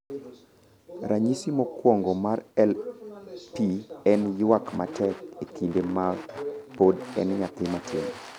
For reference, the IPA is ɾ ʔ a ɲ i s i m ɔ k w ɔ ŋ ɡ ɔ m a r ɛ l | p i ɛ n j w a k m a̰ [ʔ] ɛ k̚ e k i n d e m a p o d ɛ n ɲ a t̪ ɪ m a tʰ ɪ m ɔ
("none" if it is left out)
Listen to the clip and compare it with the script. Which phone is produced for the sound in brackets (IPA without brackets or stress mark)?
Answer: t